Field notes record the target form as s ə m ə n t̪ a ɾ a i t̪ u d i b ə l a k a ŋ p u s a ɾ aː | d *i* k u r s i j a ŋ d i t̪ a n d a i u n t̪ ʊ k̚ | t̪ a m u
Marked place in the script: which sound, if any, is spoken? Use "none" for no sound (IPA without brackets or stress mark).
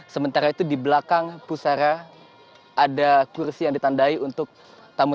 a